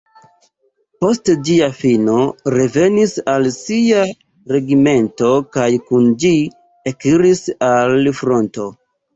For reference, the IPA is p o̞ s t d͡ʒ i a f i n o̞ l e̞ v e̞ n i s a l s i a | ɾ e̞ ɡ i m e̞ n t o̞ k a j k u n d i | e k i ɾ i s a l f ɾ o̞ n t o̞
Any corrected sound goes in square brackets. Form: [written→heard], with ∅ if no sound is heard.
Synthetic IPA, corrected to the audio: p o̞ s t d͡ʒ i a f i n o̞ [l→ɾ] e̞ v e̞ n i s a l s i a | ɾ e̞ ɡ i m e̞ n t o̞ k a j k u n [d→d͡ʒ] i | e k i ɾ i s a l f ɾ o̞ n t o̞